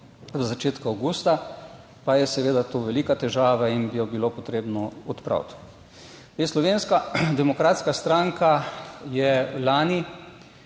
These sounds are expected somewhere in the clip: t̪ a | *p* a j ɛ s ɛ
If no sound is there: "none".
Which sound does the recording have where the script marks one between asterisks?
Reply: p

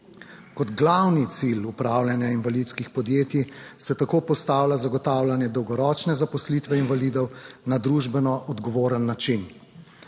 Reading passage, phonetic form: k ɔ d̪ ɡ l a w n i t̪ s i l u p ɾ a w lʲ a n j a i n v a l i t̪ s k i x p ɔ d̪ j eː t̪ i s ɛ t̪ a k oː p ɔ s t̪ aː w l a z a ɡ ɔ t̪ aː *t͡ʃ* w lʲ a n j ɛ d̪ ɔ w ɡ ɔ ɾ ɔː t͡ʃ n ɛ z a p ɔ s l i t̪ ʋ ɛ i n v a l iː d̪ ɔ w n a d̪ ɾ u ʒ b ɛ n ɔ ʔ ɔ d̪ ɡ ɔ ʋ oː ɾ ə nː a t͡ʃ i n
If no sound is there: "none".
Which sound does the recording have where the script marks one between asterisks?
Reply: none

